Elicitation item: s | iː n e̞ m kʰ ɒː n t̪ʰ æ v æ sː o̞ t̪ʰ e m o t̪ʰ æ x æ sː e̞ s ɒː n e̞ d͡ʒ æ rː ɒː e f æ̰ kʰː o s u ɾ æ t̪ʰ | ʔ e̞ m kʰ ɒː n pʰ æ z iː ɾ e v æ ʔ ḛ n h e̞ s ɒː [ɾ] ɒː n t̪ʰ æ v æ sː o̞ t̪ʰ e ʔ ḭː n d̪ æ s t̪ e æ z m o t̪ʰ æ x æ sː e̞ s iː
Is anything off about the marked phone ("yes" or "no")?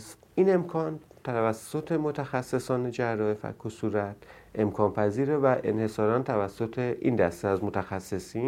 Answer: no